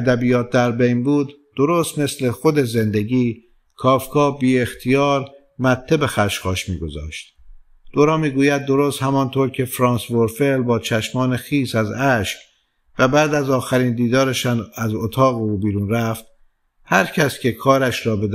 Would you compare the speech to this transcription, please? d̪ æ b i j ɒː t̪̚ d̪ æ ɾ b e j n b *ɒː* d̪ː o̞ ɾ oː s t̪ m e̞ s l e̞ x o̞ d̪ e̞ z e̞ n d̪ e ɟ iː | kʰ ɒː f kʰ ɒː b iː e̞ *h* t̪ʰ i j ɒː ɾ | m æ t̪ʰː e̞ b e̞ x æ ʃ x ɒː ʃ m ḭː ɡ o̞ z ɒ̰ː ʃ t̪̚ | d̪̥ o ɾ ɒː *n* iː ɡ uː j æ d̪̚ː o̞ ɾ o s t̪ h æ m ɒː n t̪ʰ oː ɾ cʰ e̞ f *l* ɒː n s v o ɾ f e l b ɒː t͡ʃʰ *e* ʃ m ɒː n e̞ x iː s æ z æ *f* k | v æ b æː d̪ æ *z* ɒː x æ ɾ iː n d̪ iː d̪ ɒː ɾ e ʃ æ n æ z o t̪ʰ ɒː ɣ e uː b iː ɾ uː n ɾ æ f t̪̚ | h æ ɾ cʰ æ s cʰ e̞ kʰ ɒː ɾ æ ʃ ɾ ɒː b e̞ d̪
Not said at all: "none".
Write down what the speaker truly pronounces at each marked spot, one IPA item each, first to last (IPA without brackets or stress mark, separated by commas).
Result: uː, x, m, ɾ, æ, ʃ, z